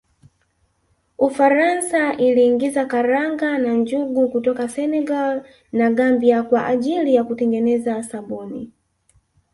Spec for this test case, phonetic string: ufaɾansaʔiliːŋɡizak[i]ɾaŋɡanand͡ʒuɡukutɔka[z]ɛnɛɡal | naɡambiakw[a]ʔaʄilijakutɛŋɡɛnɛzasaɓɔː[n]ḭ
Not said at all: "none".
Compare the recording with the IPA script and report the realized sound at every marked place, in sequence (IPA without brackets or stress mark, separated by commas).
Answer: a, s, a, n